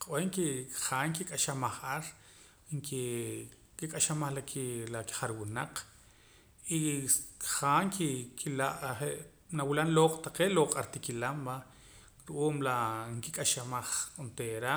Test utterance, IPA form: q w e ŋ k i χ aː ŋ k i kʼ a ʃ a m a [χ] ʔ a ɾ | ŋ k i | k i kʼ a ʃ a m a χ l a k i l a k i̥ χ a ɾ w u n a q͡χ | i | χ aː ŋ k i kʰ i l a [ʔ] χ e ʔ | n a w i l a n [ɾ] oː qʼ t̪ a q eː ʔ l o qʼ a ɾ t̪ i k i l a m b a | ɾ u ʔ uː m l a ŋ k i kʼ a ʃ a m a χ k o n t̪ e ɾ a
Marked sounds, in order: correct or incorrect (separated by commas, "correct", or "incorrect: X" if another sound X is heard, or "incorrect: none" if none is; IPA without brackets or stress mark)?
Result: correct, correct, incorrect: l